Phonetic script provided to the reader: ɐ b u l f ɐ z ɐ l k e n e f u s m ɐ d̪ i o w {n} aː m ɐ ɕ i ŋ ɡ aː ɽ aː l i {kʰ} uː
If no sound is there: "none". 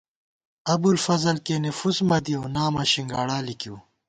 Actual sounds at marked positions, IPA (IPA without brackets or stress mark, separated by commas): n, k